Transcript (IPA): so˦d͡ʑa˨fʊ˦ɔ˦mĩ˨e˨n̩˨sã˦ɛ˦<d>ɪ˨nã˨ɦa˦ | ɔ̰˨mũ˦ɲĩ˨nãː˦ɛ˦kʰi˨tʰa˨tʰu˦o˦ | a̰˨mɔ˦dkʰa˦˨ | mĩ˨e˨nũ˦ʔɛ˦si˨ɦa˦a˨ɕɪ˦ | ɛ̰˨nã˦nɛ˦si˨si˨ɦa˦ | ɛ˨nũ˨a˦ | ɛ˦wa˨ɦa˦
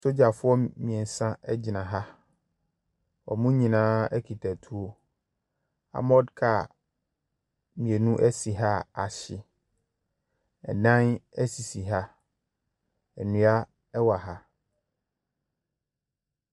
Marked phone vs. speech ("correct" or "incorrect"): incorrect